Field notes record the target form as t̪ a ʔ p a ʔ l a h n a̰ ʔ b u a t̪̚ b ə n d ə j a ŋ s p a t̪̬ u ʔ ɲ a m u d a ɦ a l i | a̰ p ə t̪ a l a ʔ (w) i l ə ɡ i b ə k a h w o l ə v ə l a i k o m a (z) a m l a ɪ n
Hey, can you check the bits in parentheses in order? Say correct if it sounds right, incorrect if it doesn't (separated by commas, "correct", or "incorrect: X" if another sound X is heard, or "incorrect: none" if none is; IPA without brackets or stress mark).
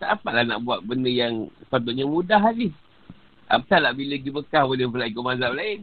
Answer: incorrect: b, correct